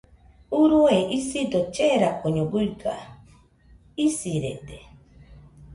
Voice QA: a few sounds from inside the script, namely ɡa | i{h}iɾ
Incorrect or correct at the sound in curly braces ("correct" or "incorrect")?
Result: incorrect